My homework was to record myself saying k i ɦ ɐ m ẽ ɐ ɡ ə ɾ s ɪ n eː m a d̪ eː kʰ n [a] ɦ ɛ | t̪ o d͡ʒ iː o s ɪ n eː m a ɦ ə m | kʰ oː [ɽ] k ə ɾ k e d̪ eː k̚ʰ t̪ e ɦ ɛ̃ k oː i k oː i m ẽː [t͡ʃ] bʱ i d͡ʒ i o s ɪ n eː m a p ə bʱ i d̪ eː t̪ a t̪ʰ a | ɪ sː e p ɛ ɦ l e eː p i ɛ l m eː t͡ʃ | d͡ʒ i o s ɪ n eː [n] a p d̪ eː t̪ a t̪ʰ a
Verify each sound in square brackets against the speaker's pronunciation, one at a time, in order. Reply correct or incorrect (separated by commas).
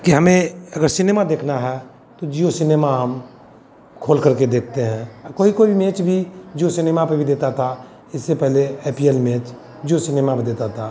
correct, incorrect, correct, incorrect